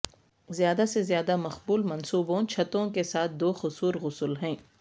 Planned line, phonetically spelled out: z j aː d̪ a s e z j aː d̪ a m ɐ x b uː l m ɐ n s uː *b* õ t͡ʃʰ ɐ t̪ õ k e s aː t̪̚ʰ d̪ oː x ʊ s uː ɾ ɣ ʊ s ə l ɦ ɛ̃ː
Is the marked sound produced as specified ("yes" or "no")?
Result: yes